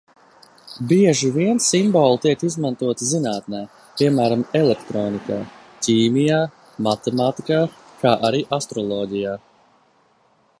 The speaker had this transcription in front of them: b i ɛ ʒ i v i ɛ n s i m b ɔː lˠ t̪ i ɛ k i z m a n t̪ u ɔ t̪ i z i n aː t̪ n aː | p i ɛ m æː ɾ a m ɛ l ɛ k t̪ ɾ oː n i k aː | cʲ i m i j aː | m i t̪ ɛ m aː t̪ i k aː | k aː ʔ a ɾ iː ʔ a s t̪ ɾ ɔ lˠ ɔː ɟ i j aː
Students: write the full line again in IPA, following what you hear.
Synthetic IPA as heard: b i ɛ ʒ i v i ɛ n s i m b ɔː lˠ t̪ i ɛ k i z m a n t̪ u ɔ t̪ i z i n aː t̪ n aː | p i ɛ m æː ɾ a m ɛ l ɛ k t̪ ɾ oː n i k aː | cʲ iː m i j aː | m a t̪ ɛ m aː t̪ i k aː | k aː ʔ a ɾ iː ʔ a s t̪ ɾ ɔ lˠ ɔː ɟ i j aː